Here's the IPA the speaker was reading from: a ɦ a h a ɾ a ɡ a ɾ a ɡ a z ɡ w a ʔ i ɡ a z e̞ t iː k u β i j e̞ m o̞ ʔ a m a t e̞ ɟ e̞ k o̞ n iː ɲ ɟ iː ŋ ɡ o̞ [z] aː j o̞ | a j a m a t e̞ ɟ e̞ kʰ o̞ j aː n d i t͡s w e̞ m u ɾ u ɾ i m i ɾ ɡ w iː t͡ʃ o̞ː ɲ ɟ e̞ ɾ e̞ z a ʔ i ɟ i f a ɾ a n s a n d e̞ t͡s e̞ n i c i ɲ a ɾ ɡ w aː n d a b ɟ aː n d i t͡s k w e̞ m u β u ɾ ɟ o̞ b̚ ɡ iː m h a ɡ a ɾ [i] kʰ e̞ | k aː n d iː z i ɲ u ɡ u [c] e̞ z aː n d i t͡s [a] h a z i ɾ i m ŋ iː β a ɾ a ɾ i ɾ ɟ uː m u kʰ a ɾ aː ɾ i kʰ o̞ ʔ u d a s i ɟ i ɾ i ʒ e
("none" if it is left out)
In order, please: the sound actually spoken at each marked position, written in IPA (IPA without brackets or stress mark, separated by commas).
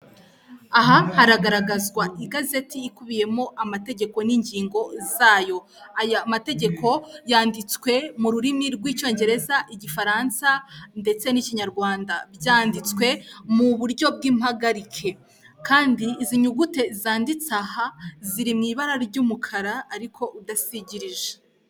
z, i, t, a